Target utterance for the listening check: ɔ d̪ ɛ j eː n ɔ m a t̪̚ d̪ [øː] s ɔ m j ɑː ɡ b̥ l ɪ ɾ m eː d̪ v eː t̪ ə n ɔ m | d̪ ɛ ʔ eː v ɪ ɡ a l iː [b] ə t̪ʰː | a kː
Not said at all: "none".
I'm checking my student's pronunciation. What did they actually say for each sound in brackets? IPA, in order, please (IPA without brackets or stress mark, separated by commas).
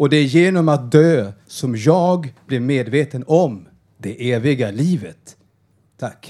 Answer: øː, v